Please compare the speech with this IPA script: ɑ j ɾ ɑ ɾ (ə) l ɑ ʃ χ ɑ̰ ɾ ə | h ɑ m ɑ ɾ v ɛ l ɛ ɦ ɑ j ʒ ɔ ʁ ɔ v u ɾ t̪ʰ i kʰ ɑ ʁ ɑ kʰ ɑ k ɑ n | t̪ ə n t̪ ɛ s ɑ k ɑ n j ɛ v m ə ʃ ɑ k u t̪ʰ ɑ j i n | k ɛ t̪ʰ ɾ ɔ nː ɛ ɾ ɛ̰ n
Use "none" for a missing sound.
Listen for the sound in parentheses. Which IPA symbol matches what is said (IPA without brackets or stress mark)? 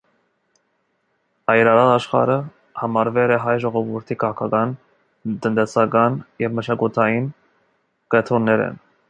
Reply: ɑ